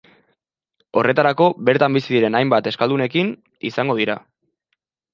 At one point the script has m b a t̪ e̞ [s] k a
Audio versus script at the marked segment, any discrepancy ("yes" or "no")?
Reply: no